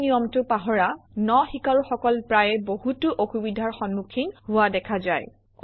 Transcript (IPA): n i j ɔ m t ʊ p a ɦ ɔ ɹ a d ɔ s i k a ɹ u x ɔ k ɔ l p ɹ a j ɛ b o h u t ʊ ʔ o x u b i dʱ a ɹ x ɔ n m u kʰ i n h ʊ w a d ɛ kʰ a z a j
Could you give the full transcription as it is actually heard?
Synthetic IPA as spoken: n i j ɔ m t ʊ p a ɦ ɔ ɹ a n ɔ x i k a ɹ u x ɔ k ɔ l p ɹ a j ɛ b o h u t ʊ ʔ o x u b i dʱ a ɹ x ɔ n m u kʰ i n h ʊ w a d ɛ kʰ a z a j